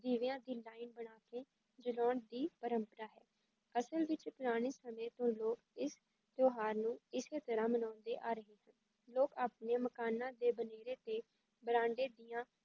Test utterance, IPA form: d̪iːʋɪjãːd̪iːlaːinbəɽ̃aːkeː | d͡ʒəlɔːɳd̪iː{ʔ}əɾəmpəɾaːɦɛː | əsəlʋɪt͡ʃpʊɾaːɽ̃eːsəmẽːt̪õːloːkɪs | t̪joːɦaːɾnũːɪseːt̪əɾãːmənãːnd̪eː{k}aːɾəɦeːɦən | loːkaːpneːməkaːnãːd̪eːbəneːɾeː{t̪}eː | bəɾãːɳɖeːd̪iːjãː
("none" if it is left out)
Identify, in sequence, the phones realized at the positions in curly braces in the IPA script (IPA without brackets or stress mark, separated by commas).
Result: p, ʔ, t̪